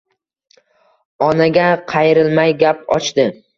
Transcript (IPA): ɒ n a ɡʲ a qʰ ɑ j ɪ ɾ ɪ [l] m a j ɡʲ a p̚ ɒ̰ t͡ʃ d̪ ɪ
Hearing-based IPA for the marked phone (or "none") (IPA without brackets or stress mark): l